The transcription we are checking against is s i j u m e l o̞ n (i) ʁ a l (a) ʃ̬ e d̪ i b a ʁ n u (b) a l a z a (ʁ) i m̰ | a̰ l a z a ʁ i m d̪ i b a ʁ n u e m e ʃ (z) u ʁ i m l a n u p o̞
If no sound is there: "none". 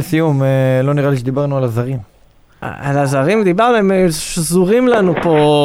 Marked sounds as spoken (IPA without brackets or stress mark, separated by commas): i, i, none, ʁ, z